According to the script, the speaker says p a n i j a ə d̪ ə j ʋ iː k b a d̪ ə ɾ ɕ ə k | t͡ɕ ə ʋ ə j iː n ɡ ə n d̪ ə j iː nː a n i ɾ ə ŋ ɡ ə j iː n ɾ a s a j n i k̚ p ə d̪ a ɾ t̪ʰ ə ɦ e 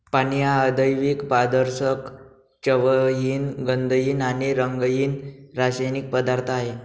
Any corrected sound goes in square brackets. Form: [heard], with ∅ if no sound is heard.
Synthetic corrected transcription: p a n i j a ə d̪ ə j ʋ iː k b a d̪ ə ɾ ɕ ə k | t͡ɕ ə ʋ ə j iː n ɡ ə n d̪ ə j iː [n] a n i ɾ ə ŋ ɡ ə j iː n ɾ a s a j n i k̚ p ə d̪ a ɾ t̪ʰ [a] ɦ e